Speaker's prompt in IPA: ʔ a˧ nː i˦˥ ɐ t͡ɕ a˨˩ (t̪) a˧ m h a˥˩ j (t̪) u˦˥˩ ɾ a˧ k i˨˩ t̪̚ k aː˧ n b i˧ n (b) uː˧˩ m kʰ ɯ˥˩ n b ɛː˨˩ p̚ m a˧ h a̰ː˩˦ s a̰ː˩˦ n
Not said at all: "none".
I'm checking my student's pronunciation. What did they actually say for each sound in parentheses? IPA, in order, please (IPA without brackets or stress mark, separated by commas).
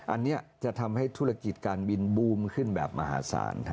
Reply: t̪ʰ, t̪ʰ, b